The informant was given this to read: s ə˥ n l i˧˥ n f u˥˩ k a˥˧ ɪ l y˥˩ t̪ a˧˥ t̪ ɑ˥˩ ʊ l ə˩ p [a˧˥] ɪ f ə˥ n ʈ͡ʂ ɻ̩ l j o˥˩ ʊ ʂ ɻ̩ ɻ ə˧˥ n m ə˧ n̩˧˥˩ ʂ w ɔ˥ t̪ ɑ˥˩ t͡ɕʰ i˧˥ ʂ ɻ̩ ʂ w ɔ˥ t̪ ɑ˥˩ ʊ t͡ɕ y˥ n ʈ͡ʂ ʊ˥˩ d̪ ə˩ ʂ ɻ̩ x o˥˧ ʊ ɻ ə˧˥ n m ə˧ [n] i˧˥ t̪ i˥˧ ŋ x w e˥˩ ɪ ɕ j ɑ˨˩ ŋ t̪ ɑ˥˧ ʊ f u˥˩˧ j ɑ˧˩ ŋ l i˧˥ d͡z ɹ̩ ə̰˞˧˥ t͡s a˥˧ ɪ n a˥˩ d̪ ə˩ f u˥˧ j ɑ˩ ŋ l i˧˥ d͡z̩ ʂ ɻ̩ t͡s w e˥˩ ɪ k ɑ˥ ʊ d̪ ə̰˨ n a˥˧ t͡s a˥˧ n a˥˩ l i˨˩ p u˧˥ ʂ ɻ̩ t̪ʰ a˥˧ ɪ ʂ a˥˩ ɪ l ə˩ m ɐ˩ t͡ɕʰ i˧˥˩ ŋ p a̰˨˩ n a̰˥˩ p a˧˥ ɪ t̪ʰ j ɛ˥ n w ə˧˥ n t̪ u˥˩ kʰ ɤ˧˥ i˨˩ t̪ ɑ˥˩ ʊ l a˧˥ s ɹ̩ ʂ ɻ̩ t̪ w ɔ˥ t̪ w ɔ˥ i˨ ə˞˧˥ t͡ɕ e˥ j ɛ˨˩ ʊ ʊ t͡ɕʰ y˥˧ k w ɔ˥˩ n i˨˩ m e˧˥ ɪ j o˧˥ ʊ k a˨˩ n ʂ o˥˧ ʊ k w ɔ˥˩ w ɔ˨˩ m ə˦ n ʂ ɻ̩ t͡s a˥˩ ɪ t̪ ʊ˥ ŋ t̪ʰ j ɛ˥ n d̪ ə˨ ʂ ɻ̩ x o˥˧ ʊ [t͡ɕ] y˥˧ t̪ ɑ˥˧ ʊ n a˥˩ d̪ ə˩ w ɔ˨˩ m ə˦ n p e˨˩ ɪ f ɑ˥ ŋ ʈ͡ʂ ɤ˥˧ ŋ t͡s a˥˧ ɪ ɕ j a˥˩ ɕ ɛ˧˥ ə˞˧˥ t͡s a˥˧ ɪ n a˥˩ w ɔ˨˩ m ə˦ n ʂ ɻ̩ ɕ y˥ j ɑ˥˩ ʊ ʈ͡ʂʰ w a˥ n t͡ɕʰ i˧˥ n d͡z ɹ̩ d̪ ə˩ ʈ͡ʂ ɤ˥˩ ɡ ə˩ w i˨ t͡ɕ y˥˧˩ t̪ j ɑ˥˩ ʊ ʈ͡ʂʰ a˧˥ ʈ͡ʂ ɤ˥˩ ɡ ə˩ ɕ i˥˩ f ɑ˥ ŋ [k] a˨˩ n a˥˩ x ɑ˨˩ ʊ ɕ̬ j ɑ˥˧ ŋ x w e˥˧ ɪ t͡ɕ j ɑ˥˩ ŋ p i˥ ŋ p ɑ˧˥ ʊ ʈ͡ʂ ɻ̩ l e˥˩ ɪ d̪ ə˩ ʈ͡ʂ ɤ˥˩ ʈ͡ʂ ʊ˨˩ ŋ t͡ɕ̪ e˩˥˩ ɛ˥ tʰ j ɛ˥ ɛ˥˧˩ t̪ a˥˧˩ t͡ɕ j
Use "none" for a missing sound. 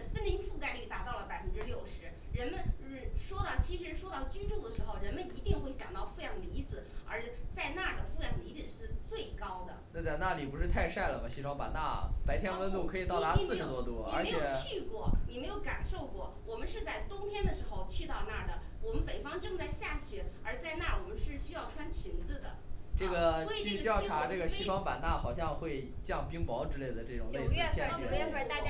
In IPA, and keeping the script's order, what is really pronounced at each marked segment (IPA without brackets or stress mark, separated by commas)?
a˨˩, n, t͡ɕʰ, p